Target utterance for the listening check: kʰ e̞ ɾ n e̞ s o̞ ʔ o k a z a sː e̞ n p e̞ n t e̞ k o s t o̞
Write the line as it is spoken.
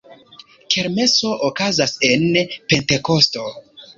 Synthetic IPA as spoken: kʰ e̞ ɾ m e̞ s o̞ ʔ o k a z a s e̞ n p e̞ n t e̞ k o s t o̞